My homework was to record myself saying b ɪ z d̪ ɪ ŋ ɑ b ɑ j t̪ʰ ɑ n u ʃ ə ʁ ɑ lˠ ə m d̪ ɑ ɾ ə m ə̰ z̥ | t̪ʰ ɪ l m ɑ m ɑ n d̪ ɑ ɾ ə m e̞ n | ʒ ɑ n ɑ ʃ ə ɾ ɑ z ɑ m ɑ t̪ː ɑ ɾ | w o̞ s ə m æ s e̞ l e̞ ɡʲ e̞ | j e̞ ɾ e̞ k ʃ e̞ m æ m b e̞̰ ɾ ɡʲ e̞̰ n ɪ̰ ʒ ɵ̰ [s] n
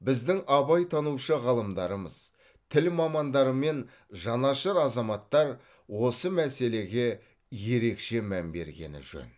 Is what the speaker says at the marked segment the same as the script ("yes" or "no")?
no